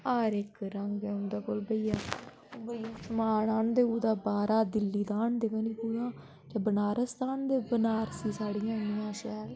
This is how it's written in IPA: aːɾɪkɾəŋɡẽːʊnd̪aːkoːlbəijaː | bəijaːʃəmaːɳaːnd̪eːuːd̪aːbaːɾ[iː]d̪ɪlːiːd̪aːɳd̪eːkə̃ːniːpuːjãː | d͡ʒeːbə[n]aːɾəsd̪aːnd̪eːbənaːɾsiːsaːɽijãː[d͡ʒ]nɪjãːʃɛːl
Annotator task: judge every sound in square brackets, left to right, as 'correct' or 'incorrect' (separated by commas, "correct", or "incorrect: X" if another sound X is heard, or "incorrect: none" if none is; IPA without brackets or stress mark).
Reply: incorrect: aː, correct, incorrect: none